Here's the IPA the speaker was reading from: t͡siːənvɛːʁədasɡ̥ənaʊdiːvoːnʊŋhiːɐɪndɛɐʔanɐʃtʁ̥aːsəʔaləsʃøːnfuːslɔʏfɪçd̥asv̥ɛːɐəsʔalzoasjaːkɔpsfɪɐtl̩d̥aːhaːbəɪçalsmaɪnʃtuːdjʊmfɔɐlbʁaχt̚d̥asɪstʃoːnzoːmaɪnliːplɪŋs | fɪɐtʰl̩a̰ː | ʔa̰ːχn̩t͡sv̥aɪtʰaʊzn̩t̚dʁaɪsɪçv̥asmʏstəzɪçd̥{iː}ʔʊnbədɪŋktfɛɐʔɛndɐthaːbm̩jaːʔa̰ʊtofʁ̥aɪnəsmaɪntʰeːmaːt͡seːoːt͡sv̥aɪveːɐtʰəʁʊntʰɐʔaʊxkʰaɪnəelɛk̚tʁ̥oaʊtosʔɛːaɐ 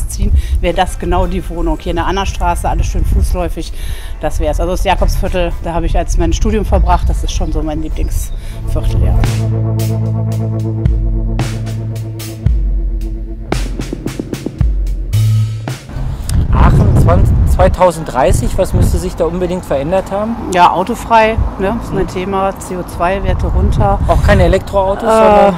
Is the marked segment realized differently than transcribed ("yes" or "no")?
yes